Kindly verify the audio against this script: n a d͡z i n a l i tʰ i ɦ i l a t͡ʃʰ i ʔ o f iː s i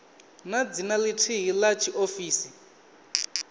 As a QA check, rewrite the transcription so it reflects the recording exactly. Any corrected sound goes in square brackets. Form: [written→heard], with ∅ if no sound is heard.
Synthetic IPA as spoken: n a d͡z i n a l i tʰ i ɦ i l a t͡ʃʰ i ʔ o f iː s i